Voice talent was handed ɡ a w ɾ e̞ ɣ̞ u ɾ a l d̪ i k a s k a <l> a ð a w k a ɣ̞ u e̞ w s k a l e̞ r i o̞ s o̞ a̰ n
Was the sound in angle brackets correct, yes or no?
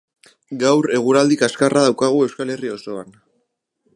no